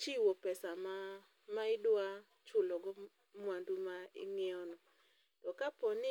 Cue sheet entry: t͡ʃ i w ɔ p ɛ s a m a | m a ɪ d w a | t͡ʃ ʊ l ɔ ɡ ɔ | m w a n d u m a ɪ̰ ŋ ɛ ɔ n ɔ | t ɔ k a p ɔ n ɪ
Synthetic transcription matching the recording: t͡ʃ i w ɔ p ɛ s a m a | m a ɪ d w a | t͡ʃ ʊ l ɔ ɡ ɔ | m w a n d u m a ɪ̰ ŋ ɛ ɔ n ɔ | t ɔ k a p ɔ n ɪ